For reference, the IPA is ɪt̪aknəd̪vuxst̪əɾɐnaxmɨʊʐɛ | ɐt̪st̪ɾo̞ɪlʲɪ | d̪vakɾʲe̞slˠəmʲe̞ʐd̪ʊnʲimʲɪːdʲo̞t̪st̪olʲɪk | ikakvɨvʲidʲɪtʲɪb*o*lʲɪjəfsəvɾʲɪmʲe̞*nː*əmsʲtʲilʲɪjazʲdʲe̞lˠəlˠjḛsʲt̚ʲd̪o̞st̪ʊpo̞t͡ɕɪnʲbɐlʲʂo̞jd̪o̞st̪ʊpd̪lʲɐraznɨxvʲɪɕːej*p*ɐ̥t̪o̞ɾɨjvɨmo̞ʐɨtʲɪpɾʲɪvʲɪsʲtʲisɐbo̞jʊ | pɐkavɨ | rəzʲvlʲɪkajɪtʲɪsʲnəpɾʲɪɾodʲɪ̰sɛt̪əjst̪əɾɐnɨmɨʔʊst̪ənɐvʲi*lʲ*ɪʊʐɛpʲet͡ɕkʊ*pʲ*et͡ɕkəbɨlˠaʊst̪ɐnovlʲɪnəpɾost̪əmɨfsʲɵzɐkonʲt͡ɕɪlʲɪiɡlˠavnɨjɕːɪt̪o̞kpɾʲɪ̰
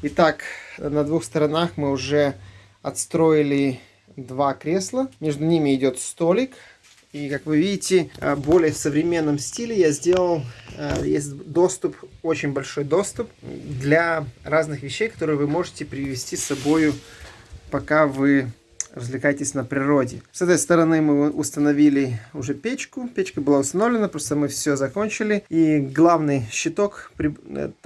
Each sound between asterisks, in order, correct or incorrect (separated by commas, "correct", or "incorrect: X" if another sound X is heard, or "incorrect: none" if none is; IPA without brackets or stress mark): correct, correct, incorrect: k, correct, correct